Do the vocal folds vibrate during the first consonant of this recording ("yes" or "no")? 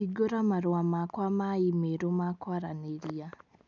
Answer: yes